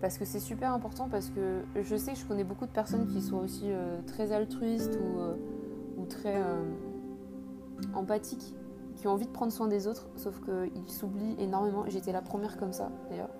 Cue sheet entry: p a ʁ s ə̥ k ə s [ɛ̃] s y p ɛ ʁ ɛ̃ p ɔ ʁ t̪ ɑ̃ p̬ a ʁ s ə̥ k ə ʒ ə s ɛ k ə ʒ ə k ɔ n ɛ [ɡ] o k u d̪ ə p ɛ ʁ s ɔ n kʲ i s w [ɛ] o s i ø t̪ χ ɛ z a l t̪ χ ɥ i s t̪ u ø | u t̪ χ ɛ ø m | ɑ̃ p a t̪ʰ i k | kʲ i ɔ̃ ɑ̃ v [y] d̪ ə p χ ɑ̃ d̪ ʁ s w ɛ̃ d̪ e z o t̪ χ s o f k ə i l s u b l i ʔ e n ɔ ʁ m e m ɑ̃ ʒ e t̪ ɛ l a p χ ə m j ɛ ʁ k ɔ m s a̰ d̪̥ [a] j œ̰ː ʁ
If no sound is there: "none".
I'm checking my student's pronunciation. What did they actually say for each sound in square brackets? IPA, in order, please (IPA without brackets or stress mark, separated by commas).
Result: ɛ, b, a, i, a